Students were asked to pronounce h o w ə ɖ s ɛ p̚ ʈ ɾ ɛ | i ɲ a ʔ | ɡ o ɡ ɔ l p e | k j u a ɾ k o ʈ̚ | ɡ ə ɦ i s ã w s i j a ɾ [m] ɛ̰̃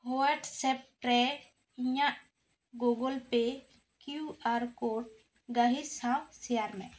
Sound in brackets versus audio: correct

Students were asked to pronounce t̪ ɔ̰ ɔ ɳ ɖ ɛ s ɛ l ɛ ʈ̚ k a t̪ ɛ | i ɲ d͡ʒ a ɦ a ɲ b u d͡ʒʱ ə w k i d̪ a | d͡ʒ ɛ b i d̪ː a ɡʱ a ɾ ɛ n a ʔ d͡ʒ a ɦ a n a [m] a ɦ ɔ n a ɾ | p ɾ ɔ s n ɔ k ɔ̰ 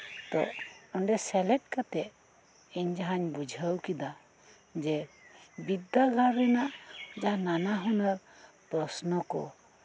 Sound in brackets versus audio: incorrect: n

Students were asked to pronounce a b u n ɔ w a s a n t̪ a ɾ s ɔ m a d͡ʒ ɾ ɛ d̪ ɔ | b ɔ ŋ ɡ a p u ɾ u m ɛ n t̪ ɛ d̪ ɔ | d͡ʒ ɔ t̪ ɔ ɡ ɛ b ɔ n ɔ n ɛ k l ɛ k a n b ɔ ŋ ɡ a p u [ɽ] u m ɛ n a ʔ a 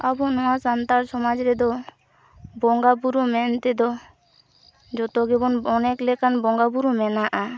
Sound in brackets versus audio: incorrect: ɾ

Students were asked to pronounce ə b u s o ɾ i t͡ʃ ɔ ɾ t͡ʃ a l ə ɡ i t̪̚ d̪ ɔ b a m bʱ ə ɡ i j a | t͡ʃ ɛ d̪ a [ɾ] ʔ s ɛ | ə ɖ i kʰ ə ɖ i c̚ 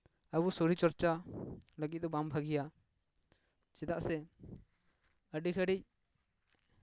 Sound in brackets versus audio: incorrect: none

